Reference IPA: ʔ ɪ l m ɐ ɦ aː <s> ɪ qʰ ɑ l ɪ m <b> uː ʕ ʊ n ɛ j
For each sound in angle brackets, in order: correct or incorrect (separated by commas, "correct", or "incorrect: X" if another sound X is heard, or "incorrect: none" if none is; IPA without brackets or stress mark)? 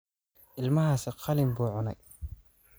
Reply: correct, correct